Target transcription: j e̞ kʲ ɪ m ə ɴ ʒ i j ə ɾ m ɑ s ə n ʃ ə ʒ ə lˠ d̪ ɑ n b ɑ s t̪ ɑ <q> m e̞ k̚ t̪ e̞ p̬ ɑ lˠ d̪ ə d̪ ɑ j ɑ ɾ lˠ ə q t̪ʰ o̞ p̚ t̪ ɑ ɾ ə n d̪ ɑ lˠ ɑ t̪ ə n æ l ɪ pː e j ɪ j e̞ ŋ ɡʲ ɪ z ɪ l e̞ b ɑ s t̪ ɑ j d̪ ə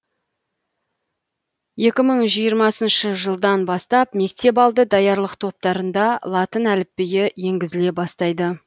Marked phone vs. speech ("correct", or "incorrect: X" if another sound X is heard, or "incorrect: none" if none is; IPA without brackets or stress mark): incorrect: p